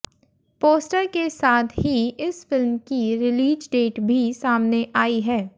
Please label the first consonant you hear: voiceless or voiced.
voiceless